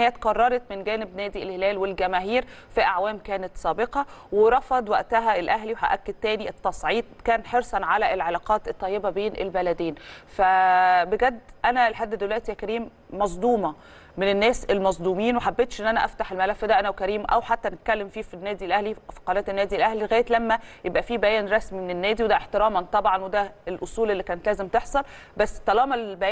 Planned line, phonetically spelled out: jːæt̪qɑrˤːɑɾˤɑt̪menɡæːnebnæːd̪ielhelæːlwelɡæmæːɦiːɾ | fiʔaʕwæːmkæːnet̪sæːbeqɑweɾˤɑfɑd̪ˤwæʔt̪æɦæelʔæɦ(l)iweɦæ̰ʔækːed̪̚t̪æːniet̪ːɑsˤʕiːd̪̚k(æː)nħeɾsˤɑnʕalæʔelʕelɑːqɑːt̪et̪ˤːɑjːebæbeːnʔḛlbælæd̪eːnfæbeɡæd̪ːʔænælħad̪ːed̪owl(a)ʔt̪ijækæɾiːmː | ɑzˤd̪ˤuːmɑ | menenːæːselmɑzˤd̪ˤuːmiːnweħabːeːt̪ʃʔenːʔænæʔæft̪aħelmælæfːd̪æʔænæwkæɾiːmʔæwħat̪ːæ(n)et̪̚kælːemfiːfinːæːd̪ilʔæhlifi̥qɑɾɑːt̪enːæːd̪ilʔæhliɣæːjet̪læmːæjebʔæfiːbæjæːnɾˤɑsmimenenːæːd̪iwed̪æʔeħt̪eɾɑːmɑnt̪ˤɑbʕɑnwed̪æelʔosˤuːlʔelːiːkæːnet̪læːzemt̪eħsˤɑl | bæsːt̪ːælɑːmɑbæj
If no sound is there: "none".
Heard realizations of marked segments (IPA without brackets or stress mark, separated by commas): l, æː, æ, n